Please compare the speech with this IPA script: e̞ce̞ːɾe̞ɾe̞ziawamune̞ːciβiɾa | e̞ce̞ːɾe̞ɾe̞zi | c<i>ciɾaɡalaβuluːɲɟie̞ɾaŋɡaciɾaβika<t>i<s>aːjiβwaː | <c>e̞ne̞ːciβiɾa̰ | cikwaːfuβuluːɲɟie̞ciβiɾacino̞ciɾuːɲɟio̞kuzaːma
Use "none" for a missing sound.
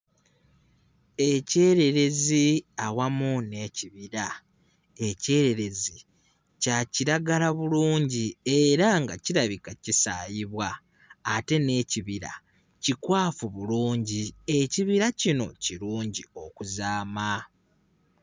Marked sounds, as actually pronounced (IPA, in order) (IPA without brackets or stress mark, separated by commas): a, c, s, t